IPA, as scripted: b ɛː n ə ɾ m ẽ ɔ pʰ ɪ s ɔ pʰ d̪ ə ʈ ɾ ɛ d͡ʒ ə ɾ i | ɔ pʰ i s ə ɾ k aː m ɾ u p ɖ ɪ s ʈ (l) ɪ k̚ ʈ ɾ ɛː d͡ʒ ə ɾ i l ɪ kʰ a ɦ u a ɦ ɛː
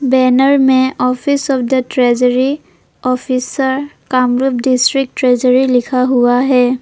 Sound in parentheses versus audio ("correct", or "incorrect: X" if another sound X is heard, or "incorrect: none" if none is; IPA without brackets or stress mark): incorrect: ɾ